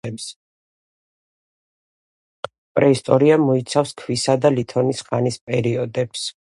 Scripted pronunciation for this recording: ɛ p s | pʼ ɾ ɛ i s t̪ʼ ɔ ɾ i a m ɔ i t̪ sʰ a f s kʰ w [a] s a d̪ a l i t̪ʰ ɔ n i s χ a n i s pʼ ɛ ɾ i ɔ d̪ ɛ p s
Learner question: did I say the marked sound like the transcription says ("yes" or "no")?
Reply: no